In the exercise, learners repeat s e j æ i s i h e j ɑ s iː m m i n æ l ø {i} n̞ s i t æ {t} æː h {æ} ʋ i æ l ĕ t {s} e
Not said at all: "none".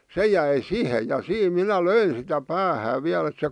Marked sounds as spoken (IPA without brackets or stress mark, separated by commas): i, p, æː, s